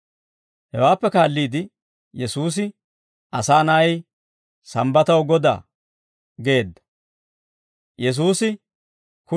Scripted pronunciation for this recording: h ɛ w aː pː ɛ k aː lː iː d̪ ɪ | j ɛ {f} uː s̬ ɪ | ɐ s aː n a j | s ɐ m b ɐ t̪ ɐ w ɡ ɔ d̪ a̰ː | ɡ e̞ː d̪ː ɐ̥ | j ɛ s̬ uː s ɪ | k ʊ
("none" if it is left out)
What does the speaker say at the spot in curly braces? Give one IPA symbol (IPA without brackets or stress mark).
s